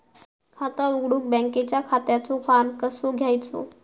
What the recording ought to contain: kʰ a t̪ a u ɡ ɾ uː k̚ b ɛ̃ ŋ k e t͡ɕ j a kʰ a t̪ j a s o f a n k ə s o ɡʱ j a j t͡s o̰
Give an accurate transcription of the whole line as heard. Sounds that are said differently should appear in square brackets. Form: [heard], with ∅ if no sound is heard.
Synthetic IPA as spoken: kʰ a t̪ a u ɡ [ɽ] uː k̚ b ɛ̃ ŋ k e t͡ɕ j a kʰ a t̪ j a [t͡s] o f a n k ə s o ɡʱ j a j t͡s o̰